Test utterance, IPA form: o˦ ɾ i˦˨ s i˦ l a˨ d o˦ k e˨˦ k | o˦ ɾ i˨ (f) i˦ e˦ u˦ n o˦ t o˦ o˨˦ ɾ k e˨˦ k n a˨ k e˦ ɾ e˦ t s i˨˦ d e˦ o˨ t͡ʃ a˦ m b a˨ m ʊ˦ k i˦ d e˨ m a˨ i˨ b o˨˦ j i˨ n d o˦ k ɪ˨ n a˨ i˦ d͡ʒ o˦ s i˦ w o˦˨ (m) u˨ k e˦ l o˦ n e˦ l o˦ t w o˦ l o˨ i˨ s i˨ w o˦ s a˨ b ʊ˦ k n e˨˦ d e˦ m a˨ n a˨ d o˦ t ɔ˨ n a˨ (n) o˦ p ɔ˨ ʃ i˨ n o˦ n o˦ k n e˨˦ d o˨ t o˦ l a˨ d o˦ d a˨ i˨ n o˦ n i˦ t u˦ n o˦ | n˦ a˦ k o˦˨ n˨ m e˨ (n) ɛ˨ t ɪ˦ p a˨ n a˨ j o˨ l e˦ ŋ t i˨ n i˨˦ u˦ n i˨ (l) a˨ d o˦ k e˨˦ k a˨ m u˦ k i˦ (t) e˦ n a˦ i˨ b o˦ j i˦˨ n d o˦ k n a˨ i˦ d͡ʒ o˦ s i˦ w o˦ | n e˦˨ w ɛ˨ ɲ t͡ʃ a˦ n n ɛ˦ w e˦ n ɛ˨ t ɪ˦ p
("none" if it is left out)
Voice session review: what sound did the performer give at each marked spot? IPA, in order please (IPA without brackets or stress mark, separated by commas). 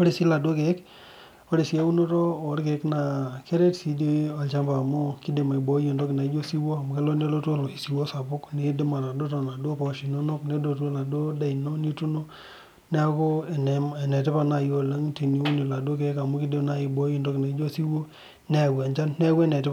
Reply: s, m, d, n, l, d